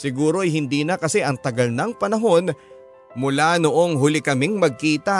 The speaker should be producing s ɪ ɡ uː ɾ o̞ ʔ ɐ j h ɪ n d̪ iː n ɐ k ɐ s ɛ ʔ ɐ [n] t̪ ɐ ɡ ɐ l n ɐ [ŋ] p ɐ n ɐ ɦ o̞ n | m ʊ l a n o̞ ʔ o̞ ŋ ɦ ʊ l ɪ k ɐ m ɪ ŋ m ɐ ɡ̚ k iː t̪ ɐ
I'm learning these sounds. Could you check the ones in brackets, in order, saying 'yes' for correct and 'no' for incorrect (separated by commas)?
no, yes